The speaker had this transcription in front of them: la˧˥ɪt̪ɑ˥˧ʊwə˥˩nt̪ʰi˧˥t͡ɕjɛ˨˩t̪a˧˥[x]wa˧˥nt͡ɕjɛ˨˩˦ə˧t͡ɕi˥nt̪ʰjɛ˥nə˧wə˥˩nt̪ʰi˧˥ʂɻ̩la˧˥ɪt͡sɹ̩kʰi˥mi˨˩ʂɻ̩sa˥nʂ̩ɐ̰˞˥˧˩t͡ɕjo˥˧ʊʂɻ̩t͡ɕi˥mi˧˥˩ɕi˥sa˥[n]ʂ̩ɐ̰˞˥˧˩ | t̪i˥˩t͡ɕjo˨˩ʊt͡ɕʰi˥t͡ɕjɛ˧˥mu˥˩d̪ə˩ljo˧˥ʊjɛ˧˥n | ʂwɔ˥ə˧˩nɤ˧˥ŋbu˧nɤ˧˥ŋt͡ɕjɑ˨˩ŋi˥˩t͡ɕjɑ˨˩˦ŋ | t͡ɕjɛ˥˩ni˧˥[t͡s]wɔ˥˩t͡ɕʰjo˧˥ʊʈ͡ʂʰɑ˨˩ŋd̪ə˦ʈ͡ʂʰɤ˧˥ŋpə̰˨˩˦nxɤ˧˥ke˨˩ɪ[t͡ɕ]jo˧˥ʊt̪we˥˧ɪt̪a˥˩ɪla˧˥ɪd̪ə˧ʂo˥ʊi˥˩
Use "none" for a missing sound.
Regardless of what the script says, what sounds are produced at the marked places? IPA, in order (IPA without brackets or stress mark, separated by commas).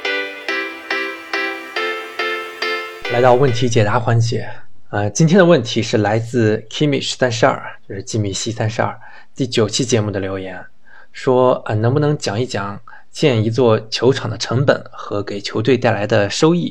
x, n, t͡s, t͡ɕʰ